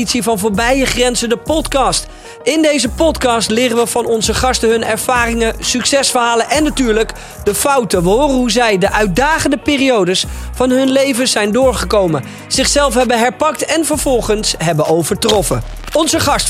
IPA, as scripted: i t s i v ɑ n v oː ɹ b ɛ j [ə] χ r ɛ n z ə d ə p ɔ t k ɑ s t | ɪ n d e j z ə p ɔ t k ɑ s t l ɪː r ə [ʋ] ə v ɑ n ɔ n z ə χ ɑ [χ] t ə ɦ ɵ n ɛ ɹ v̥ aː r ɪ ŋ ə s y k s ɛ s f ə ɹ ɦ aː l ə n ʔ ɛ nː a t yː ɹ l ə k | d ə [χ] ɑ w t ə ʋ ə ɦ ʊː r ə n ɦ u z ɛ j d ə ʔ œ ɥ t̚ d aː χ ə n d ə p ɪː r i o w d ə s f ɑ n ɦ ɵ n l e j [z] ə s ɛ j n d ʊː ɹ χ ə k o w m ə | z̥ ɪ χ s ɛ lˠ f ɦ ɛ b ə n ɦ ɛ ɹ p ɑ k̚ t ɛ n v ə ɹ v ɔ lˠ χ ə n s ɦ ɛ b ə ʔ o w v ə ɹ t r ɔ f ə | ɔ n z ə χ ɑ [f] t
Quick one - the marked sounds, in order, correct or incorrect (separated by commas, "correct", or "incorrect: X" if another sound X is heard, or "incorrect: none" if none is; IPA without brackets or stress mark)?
correct, correct, incorrect: s, incorrect: f, incorrect: v, incorrect: s